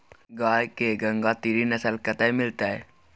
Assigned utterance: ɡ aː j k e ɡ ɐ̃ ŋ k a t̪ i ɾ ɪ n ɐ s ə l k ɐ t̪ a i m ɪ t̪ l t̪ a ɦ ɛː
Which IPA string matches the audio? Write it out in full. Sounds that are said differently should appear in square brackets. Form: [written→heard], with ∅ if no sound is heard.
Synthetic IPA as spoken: ɡ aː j k e ɡ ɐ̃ ŋ [k→ɡ] a t̪ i ɾ [ɪ→i] n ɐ s ə l k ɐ t̪ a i m ɪ [t̪→∅] l t̪ a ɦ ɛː